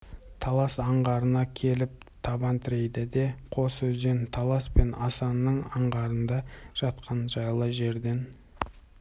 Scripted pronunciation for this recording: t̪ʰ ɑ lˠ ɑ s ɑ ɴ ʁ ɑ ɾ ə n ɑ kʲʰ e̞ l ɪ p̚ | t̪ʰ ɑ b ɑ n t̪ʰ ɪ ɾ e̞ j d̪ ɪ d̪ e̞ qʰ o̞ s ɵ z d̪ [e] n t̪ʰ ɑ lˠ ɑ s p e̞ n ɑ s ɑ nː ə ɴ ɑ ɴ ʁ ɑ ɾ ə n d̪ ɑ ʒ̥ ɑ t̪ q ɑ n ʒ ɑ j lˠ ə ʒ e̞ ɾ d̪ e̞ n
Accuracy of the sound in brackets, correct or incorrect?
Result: correct